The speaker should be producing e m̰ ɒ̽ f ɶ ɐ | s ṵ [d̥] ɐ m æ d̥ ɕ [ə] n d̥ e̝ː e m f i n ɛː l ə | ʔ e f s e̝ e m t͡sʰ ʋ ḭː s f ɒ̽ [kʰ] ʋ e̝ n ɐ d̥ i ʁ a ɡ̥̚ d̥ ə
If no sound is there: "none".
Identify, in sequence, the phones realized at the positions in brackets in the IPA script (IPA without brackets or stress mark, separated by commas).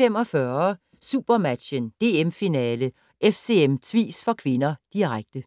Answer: b̥, ə, kʰ